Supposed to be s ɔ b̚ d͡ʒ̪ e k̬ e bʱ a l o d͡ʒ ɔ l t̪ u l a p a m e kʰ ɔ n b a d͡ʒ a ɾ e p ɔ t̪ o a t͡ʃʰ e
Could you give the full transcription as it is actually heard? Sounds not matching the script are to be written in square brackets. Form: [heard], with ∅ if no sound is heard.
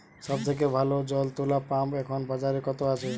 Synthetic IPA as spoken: s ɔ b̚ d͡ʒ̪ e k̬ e bʱ a l o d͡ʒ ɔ l t̪ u l a p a m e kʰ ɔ n b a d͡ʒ a ɾ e [k] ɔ t̪ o a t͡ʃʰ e